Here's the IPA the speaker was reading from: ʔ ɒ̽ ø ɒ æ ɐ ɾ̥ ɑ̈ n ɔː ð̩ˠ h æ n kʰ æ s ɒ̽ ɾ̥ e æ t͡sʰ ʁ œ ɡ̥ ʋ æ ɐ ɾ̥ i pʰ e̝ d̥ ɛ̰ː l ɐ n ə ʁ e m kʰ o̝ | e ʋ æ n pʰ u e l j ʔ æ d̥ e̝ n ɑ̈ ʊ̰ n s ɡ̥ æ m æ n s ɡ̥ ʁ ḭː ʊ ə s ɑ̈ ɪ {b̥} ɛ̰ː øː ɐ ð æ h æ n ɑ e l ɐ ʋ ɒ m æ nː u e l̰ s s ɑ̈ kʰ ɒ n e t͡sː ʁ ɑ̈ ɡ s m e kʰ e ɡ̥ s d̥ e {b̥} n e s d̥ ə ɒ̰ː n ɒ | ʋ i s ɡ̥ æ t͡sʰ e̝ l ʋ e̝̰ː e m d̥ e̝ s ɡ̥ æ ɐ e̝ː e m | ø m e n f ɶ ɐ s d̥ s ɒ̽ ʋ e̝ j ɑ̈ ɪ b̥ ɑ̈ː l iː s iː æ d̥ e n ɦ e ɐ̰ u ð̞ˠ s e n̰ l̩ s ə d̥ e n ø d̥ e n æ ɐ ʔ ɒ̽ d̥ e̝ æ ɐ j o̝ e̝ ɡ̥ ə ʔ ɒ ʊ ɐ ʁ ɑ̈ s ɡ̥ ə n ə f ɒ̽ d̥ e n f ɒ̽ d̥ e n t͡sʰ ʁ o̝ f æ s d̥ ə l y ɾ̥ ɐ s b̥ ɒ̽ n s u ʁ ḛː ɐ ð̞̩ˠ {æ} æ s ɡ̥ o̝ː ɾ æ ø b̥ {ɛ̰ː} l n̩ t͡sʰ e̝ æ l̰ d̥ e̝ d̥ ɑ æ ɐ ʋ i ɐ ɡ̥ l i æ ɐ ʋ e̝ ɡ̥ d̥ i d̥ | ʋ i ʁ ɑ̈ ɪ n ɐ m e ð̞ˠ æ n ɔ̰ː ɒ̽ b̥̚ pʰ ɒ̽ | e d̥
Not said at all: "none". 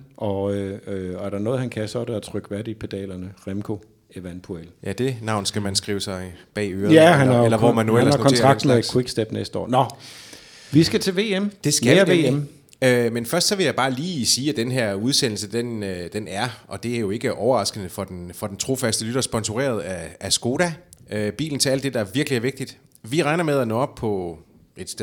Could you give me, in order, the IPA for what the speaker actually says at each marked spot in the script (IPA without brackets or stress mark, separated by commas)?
b̥, b̥, æ, ḭː